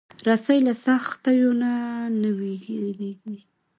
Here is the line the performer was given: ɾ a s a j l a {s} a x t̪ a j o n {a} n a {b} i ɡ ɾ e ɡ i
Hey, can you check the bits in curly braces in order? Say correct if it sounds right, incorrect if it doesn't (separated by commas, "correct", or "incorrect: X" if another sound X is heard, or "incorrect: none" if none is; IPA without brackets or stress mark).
correct, correct, incorrect: w